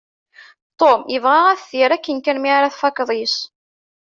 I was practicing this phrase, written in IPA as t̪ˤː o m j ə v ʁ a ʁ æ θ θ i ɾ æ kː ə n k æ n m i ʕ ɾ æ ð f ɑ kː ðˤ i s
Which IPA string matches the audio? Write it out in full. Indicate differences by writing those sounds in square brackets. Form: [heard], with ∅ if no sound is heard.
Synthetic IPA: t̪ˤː o m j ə v ʁ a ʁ æ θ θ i ɾ æ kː ə n k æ n m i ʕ ɾ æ [θ] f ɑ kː ðˤ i s